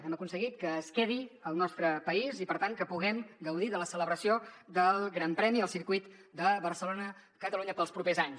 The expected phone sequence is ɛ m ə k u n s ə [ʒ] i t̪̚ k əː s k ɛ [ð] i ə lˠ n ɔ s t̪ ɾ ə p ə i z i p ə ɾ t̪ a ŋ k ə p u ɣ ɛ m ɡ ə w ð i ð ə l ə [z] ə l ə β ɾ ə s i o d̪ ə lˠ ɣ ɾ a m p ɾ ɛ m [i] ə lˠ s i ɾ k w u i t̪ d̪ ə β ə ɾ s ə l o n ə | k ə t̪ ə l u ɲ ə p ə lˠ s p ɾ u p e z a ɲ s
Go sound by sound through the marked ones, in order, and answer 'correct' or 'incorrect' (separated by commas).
incorrect, correct, incorrect, correct